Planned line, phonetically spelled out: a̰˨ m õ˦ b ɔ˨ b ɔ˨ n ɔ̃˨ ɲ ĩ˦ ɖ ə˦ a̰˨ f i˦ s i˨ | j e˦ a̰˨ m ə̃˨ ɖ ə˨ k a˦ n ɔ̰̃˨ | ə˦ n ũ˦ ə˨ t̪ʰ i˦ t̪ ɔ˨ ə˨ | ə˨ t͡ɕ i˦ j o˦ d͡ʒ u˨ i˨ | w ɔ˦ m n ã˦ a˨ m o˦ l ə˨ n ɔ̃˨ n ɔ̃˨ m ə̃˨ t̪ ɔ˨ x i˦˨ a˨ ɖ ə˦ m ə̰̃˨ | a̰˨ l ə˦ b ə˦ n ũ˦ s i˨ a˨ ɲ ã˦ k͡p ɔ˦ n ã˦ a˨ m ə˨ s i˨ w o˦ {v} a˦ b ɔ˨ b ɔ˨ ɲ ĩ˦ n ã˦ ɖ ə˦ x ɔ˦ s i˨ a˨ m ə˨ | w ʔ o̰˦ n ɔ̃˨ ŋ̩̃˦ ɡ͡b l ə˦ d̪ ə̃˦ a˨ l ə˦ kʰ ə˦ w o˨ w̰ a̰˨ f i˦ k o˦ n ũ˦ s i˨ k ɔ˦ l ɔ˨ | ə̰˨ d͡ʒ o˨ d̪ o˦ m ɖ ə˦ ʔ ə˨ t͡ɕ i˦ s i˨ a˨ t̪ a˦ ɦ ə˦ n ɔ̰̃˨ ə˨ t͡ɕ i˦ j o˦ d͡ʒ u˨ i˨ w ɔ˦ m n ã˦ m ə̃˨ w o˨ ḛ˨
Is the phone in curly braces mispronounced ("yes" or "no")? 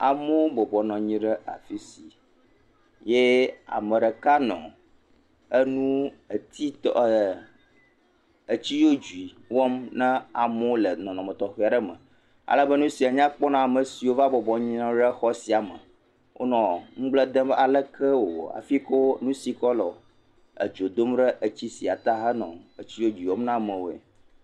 no